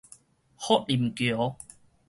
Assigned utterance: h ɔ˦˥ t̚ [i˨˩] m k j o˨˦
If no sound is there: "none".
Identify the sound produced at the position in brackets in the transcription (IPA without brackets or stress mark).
i˨˩